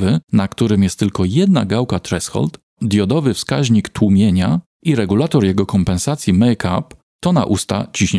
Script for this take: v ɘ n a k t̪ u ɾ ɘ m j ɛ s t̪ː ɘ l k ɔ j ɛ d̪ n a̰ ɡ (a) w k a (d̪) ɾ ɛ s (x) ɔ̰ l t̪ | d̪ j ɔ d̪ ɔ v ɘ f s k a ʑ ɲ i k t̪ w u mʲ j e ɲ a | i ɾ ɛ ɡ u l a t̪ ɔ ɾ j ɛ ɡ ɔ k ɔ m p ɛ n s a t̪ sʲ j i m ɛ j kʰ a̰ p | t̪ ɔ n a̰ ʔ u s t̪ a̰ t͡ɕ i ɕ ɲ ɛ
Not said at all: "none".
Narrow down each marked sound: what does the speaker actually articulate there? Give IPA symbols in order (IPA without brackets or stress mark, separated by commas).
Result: a, t̪, x